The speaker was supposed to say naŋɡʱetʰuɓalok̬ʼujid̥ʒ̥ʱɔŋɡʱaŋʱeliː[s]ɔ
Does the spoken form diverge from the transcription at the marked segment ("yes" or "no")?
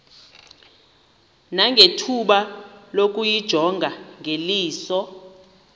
no